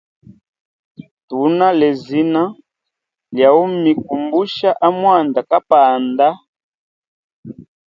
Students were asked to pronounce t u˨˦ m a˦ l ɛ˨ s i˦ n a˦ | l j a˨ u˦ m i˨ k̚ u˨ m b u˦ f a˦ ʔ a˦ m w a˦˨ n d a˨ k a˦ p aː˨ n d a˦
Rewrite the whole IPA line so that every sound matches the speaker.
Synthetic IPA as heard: t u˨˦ n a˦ l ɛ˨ z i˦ n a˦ | l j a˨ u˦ m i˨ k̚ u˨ m b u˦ ʃ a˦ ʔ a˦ m w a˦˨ n d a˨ k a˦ p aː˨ n d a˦